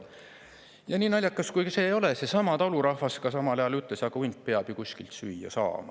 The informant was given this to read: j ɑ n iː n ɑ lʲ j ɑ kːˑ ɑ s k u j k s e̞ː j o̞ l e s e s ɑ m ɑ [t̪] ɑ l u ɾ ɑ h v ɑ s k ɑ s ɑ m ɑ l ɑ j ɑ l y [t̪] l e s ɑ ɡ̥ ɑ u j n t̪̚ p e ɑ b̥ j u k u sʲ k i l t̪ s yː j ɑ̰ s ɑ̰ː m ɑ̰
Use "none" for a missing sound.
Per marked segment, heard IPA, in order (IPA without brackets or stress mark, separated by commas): t̪, t̪